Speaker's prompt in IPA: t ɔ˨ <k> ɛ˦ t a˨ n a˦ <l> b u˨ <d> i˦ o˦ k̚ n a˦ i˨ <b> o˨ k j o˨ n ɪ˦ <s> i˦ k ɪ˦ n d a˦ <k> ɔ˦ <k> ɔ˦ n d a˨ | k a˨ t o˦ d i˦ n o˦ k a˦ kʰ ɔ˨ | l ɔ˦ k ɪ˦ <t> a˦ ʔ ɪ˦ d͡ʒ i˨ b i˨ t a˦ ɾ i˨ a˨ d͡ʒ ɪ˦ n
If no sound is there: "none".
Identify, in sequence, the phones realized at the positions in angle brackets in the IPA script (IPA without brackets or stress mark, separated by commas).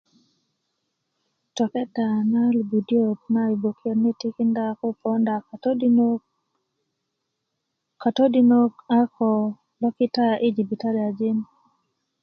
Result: k, l, d, b, t, k, p, t